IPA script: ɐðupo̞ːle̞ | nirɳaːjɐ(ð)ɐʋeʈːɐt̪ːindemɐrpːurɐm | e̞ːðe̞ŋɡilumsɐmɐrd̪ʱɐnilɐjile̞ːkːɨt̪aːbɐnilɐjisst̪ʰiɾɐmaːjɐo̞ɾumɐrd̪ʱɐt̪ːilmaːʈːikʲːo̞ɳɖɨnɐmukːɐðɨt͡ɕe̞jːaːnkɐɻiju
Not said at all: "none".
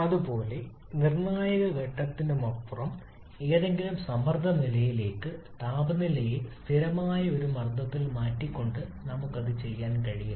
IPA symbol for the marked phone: ɣ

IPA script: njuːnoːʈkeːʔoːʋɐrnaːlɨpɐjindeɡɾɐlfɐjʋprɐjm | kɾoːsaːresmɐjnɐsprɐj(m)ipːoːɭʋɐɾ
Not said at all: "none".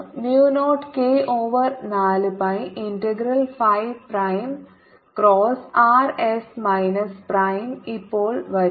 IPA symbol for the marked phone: m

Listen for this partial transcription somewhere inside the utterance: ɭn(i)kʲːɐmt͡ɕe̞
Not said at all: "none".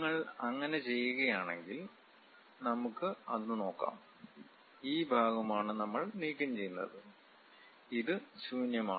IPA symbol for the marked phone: iː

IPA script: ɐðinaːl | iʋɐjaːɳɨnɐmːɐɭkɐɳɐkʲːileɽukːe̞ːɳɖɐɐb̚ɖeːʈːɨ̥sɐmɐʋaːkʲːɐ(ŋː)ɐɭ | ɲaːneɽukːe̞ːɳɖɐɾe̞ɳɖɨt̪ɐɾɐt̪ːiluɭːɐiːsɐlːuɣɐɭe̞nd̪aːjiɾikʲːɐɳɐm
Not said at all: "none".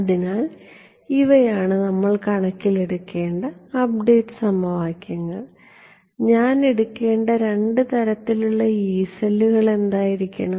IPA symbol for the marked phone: ŋː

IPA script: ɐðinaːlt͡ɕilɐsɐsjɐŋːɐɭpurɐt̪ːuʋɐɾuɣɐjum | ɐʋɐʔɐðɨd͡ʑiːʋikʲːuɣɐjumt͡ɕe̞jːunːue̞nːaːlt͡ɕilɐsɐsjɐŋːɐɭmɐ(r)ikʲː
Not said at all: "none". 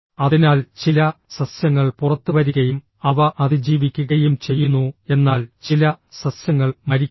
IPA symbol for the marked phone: ɾ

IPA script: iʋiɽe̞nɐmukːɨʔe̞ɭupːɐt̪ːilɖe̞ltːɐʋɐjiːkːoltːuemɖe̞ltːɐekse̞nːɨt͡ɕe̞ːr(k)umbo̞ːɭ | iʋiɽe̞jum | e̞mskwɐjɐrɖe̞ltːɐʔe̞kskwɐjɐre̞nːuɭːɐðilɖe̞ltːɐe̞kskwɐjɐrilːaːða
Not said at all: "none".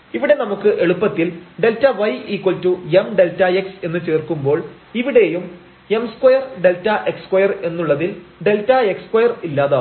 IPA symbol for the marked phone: k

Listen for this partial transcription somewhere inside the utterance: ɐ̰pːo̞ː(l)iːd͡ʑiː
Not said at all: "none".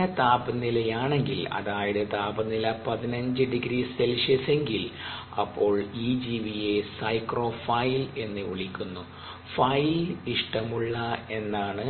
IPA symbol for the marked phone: ɭ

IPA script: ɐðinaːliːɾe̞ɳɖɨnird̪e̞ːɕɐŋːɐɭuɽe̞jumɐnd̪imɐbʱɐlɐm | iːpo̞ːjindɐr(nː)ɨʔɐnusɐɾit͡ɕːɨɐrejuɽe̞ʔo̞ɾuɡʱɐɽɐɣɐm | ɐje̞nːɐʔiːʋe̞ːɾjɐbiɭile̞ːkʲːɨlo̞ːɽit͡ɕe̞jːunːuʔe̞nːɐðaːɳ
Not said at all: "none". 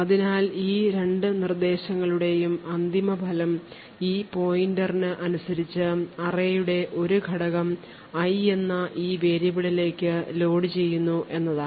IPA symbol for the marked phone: n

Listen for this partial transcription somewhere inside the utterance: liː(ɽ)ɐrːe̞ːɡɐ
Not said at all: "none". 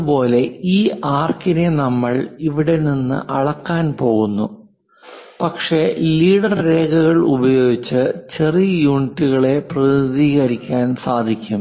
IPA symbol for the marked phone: ɽ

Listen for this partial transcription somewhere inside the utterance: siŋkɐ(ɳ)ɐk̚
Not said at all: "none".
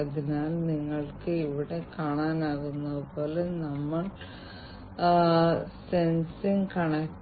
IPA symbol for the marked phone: ɳ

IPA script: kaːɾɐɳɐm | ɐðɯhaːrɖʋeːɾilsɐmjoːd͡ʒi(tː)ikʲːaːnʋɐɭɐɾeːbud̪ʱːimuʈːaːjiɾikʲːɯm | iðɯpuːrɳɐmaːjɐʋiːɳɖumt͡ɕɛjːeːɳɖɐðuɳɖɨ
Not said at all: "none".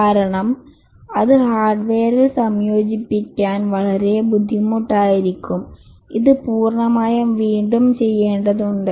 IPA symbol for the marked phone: pː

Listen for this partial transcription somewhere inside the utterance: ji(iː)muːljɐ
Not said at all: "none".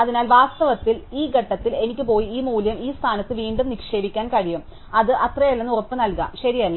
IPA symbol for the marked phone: iː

